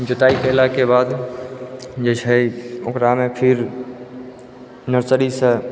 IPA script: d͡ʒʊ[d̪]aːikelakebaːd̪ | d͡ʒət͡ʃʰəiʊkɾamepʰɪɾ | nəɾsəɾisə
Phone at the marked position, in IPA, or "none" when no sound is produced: t̪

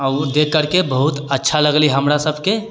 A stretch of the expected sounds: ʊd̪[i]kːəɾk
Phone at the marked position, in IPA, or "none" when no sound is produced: e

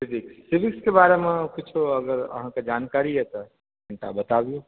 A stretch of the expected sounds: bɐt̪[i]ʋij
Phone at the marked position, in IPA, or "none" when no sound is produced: a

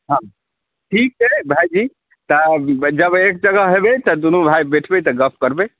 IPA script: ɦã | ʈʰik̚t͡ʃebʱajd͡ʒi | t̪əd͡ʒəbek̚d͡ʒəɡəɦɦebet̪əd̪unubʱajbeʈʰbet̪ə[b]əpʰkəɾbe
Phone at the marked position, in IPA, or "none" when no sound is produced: ɡ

